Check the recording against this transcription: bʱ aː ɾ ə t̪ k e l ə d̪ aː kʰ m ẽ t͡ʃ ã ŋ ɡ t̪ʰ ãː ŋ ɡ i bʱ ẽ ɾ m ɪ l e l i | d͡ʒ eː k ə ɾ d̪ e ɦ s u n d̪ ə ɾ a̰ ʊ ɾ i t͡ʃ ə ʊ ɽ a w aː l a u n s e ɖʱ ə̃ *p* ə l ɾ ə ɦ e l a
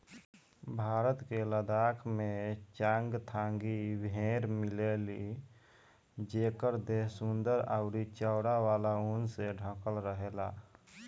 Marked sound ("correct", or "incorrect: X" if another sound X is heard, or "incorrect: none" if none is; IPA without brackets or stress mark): incorrect: k